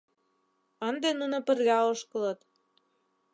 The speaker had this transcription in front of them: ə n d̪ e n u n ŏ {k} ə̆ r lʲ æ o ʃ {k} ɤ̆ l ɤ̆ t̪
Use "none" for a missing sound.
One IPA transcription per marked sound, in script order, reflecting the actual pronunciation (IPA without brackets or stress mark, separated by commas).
p, k